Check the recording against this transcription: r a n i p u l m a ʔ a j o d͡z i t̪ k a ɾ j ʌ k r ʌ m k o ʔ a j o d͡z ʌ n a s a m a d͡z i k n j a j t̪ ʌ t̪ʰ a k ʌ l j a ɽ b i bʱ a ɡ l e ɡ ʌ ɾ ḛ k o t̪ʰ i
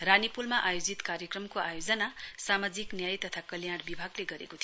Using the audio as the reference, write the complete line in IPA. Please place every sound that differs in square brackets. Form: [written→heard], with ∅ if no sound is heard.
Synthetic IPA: r a n i p u l m a ʔ a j o d͡z i t̪ k a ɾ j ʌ k r ʌ m k o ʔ a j o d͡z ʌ n a s a m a d͡z i k n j a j t̪ ʌ t̪ʰ a k ʌ l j a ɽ b i bʱ a ɡ l e ɡ ʌ ɾ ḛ k o t̪ʰ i